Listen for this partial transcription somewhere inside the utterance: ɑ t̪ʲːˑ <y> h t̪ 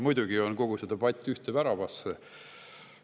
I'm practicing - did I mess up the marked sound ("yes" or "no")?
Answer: no